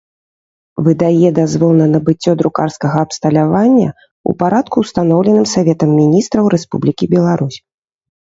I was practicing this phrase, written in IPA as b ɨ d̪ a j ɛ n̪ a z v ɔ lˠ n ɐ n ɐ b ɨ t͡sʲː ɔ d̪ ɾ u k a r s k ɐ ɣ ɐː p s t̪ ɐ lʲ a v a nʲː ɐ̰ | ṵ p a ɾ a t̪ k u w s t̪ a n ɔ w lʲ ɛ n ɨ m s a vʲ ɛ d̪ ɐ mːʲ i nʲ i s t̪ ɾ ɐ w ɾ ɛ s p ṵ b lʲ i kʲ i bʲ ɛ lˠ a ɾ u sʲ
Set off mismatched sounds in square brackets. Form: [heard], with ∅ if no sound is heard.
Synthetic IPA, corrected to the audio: [v] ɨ d̪ a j ɛ [d̪] a z v ɔ lˠ n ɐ n ɐ b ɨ t͡sʲː ɔ d̪ ɾ u k a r s k ɐ ɣ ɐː p s t̪ ɐ lʲ a v a nʲː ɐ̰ | ṵ p a ɾ a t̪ k u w s t̪ a n ɔ w lʲ ɛ n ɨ m s a vʲ ɛ [t̪] ɐ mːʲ i nʲ i s t̪ ɾ ɐ w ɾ ɛ s p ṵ b lʲ i kʲ i bʲ ɛ lˠ a ɾ u sʲ